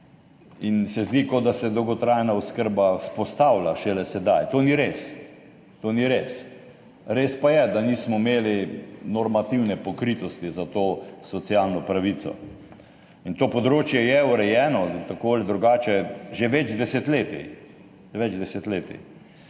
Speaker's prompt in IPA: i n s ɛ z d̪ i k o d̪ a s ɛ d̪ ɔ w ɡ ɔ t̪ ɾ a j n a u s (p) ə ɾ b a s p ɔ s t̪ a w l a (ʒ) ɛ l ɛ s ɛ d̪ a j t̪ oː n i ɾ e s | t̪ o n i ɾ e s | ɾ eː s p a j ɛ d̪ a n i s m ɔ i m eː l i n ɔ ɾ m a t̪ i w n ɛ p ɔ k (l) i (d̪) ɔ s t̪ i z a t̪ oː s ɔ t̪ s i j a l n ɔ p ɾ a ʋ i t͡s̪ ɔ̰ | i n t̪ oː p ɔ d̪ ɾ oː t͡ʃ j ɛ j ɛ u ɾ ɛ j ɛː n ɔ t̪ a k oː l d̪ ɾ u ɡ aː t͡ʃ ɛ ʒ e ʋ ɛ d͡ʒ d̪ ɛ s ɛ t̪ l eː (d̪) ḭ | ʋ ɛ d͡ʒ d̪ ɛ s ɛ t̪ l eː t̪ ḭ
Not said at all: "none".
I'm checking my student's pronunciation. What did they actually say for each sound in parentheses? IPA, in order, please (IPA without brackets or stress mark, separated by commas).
k, ʃ, ɾ, t̪, t̪